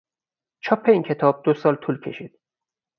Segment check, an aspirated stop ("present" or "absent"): present